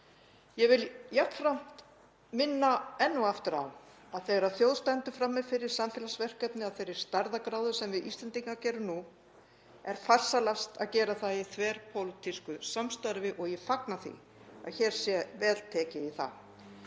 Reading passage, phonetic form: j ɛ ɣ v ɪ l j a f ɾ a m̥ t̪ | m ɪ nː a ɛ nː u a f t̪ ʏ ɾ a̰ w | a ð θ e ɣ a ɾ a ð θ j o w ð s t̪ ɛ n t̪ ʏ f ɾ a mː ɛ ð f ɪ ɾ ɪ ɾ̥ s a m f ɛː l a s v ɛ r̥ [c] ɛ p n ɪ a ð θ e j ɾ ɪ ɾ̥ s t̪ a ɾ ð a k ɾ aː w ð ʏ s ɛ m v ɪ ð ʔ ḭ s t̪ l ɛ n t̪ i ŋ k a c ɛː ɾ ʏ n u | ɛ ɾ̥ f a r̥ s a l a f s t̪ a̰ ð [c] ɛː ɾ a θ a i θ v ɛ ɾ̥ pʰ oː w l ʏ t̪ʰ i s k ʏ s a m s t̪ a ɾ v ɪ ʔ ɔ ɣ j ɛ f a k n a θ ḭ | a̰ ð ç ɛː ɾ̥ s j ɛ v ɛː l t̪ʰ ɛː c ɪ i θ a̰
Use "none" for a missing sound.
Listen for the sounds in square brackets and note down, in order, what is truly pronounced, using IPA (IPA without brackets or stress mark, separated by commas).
k, c